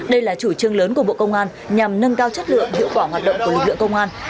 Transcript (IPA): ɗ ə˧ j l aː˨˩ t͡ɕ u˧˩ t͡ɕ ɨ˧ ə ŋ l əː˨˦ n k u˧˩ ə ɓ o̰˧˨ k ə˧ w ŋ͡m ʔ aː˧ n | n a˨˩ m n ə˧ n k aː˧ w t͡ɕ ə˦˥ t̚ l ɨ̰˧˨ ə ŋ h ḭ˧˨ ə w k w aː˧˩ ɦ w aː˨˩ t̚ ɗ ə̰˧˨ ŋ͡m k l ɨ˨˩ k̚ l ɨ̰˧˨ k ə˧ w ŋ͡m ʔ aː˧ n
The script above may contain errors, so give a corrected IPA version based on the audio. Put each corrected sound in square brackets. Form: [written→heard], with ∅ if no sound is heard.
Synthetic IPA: ɗ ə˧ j l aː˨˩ t͡ɕ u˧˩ t͡ɕ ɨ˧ ə ŋ l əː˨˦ n k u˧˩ ə ɓ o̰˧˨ k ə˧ w ŋ͡m ʔ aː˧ n | [n→ɲ] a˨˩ m n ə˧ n k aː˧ w t͡ɕ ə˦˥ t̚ l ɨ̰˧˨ ə ŋ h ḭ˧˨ ə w k w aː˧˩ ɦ w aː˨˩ t̚ ɗ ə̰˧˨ ŋ͡m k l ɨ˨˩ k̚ l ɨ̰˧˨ k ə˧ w ŋ͡m ʔ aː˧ n